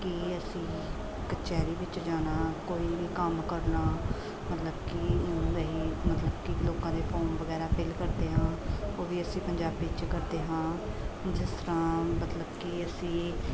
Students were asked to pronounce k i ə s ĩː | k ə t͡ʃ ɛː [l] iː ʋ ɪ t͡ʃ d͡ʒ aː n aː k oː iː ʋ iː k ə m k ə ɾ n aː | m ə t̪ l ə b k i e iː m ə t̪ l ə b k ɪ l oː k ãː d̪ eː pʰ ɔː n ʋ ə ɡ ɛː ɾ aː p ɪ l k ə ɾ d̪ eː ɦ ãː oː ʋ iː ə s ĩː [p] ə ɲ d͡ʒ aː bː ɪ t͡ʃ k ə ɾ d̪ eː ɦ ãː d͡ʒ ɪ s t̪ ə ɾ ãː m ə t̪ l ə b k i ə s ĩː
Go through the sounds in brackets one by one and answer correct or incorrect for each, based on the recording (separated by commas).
incorrect, correct